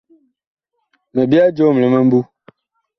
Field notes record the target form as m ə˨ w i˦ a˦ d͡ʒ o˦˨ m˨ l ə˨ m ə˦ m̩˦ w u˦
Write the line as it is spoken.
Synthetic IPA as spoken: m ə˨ b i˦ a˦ d͡ʒ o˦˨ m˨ l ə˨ m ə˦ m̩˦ b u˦